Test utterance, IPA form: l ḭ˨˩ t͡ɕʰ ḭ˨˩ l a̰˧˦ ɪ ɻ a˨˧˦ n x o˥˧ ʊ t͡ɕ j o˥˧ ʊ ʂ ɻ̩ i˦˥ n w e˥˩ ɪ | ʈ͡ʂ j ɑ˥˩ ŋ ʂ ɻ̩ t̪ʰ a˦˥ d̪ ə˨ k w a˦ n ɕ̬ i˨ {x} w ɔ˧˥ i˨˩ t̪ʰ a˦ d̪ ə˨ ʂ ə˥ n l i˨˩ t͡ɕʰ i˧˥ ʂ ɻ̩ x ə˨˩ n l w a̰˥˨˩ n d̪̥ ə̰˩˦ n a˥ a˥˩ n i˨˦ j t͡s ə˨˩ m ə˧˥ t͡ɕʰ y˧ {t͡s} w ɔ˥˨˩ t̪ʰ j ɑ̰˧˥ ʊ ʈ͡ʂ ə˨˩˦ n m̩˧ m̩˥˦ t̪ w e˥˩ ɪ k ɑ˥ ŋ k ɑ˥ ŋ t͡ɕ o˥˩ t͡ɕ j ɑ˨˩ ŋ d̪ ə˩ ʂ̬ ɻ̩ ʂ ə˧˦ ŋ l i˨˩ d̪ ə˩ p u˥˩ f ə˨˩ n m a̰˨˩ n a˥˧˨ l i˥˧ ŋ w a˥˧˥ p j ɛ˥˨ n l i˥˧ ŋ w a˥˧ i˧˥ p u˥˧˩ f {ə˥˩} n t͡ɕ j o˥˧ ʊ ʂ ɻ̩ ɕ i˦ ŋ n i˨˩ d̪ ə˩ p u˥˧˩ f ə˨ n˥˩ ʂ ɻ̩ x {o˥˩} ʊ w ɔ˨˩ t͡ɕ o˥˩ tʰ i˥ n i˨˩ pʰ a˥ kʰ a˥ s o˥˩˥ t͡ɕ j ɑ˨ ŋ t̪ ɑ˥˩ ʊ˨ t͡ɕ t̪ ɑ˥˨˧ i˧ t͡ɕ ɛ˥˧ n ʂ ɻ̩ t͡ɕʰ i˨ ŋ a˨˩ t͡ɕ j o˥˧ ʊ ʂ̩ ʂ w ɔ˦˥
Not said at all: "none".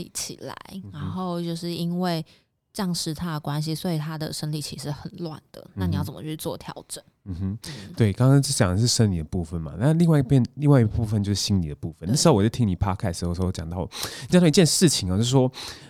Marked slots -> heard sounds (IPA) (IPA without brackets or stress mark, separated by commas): s, t͡s, ə˨, o˥